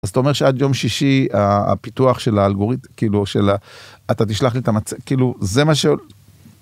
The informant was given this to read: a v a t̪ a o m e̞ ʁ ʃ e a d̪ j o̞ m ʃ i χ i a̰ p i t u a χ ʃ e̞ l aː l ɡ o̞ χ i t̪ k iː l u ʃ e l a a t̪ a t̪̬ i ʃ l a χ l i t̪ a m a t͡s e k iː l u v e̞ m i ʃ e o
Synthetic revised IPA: a z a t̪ a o m e̞ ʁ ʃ e a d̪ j o̞ m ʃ i ʃ i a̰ p i t u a χ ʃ e̞ l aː l ɡ o̞ ʁ i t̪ k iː l u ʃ e l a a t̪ a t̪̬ i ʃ l a χ l i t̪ a m a t͡s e k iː l u z e̞ m a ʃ e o